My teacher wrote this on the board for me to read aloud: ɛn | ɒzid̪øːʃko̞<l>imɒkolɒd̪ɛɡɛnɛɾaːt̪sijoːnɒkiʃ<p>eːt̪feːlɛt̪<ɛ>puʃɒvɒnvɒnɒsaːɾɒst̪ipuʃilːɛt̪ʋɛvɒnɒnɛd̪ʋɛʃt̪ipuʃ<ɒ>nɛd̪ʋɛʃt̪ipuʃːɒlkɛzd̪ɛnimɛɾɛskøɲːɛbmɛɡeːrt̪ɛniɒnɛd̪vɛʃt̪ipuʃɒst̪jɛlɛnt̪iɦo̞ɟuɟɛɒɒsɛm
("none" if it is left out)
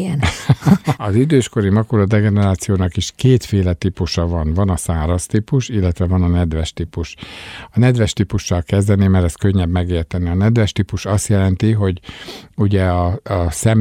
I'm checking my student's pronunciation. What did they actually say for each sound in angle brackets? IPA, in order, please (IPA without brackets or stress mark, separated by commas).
ɾ, k, i, ɒ